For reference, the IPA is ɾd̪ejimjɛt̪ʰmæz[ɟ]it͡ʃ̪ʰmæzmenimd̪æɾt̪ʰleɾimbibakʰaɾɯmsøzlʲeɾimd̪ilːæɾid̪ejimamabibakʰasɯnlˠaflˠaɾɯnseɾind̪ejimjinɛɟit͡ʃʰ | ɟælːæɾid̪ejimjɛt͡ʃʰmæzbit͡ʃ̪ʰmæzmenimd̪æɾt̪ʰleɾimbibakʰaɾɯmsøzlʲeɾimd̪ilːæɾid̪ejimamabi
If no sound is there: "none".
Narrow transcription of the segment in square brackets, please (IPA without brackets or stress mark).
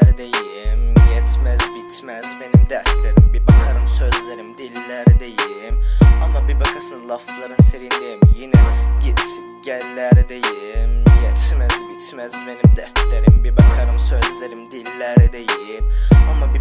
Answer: b